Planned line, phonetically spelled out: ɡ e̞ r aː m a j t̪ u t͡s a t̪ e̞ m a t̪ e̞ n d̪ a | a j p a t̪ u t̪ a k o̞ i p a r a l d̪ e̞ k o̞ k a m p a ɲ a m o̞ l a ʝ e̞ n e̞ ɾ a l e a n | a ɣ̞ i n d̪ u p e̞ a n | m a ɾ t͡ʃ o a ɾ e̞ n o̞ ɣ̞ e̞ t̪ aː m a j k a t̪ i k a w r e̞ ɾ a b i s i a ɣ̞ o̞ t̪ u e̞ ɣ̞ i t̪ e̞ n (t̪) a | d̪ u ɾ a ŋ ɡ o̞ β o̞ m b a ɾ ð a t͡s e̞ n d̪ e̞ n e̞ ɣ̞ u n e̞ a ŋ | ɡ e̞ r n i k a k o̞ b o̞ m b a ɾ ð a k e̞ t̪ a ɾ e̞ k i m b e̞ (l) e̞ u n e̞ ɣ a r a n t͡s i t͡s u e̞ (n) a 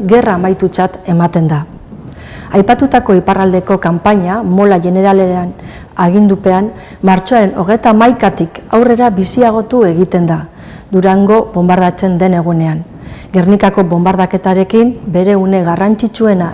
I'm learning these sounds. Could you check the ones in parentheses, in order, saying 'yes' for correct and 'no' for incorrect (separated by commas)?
no, no, yes